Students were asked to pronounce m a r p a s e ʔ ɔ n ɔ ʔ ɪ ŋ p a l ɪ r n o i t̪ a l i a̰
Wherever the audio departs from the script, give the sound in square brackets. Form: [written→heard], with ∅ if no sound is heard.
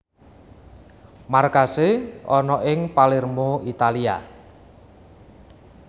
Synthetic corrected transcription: m a r [p→k] a s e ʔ ɔ n ɔ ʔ ɪ ŋ p a l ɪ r [n→m] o i t̪ a l i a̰